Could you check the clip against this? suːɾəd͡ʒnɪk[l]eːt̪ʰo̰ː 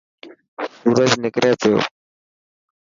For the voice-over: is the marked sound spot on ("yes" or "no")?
no